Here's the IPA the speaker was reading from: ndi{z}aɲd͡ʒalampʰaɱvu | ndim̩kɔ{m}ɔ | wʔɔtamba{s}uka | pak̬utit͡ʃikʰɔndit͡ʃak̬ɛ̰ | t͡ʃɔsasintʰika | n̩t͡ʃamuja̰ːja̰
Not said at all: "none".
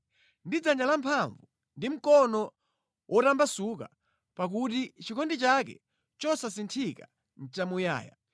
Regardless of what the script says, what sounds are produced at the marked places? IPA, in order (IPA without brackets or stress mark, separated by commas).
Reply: d͡z, n, s